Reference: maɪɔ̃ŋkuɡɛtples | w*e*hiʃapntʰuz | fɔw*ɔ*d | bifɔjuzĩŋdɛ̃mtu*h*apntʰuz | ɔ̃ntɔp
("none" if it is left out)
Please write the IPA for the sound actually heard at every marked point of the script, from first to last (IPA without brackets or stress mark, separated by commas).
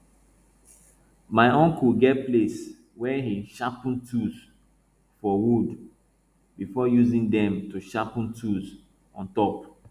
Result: ɛ, u, ʃ